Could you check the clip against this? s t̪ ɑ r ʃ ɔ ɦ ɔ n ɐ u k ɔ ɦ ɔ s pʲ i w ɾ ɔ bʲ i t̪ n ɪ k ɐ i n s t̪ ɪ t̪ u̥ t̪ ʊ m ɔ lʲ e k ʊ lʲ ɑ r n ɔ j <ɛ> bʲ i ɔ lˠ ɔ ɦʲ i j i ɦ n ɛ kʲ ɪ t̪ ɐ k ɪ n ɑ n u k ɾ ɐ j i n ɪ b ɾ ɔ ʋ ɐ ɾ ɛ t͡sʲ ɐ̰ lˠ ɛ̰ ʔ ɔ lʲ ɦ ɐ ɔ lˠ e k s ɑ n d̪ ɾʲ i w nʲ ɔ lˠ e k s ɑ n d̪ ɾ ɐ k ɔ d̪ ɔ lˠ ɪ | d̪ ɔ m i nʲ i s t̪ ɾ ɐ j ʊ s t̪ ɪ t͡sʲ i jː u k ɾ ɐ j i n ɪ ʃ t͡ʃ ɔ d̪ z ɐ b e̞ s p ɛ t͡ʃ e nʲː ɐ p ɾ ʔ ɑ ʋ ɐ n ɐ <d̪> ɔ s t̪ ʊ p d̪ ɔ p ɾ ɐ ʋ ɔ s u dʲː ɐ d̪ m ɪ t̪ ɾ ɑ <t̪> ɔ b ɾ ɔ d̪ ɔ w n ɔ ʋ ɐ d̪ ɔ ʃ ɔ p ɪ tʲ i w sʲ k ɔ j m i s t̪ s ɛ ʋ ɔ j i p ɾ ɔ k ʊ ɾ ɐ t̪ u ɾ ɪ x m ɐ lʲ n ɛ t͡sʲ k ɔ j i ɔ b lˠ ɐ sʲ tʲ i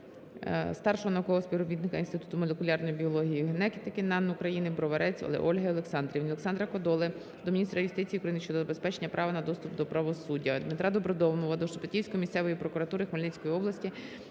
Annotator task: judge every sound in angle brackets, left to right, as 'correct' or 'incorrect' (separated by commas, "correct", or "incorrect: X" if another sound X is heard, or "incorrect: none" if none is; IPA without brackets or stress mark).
incorrect: i, correct, incorrect: d̪